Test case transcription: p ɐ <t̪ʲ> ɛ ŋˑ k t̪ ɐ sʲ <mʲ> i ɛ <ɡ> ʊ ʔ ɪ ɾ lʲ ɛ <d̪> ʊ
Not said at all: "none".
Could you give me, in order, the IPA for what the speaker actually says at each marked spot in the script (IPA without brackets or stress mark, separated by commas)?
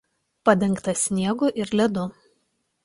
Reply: d̪ʲ, nʲ, ɡ, d̪